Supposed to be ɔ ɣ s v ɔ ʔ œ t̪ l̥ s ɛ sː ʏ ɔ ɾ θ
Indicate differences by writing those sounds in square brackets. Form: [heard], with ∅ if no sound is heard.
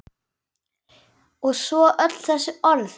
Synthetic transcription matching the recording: ɔ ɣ s v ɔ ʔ œ t̪ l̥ [θ] ɛ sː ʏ ɔ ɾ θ